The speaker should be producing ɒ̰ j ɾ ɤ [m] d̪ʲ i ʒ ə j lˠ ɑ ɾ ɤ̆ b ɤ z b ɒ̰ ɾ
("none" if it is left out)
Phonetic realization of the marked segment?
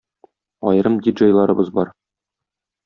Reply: m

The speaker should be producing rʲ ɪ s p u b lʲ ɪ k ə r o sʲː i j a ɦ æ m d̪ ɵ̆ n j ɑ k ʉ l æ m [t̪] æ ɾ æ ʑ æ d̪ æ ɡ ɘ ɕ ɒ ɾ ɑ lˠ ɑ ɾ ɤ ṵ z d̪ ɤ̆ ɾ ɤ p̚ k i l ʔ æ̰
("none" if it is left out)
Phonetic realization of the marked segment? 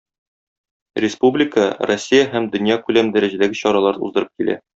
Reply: d̪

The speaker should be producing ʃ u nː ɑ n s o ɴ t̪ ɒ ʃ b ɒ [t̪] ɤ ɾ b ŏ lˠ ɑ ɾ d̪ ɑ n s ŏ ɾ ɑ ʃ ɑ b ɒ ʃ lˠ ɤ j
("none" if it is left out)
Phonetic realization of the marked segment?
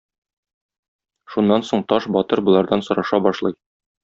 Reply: t̪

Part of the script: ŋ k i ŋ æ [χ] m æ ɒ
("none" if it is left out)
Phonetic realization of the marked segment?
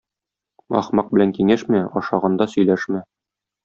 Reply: ʃ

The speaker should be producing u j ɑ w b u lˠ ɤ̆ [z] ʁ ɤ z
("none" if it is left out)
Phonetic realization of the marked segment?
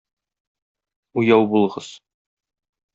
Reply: none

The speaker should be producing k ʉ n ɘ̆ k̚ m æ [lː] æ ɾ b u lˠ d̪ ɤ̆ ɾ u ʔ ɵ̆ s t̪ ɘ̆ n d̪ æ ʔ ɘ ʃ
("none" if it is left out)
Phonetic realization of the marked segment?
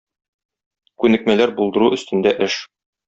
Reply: l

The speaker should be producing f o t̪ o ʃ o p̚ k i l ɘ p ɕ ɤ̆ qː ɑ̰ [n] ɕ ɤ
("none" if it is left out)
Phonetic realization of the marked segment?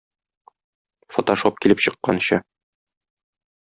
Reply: n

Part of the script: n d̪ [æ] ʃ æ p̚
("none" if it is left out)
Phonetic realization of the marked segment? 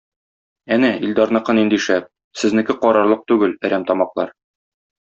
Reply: i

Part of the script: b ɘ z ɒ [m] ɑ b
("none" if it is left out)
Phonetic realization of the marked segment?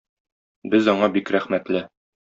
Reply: ɴ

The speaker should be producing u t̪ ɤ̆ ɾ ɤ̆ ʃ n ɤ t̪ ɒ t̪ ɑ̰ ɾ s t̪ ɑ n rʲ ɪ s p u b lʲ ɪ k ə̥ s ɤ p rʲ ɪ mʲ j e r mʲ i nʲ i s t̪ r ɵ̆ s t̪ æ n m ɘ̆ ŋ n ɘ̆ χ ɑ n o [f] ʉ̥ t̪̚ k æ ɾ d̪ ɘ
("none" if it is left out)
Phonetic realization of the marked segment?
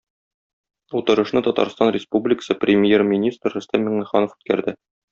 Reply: f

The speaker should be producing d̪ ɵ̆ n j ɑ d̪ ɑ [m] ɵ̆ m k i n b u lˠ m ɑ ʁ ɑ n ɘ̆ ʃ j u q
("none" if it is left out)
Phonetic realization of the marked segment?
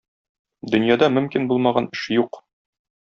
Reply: m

